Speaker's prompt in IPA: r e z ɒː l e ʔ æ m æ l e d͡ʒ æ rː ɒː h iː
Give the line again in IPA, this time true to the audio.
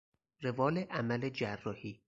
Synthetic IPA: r e v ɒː l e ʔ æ m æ l e d͡ʒ æ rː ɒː h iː